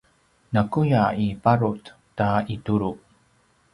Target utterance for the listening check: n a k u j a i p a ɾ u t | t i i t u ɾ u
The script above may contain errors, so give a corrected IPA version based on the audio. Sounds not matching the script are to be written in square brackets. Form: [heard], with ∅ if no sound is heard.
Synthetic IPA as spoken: n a k u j a i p a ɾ u t | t [a] i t u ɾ u